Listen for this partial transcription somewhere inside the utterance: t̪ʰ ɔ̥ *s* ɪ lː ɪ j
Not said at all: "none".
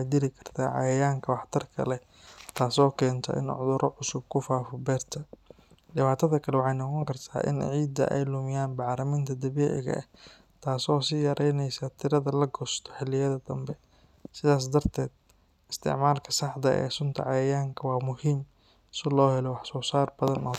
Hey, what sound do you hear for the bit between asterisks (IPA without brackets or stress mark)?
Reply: ħ